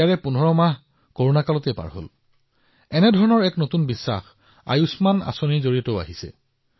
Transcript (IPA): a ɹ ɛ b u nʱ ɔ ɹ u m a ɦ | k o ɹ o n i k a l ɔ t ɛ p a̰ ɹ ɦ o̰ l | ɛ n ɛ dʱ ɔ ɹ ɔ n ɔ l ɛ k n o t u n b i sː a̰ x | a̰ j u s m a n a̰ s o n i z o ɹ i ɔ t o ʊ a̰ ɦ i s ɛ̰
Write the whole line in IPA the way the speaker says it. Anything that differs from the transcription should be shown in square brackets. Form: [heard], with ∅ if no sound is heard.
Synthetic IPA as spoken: a ɹ ɛ [p] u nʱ ɔ ɹ [ɔ] m a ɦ | k o ɹ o n [a] k a l ɔ t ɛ p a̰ ɹ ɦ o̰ l | ɛ n ɛ dʱ ɔ ɹ ɔ n ɔ [ɹ] ɛ k n o t u n b i sː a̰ x | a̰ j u s m a n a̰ s o n i z o ɹ i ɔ t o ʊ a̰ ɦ i s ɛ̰